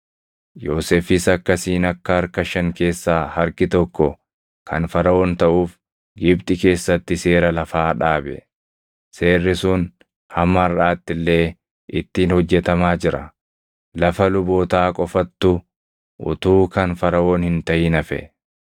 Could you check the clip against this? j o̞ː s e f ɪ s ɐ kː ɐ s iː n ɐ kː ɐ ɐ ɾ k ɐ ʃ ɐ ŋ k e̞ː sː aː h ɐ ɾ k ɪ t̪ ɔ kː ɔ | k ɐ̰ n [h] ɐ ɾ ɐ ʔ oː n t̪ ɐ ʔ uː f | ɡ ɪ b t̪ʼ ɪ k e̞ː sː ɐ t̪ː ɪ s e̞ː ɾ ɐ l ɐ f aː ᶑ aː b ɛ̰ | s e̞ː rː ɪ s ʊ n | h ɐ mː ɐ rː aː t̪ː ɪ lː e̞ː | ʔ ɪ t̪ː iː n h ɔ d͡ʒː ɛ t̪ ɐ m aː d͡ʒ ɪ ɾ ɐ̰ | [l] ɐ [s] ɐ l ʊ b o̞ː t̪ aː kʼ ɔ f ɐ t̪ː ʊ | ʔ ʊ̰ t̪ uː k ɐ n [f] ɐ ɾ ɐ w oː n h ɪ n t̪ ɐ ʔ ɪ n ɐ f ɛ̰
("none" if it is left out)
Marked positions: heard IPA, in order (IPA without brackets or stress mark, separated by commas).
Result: f, l, f, f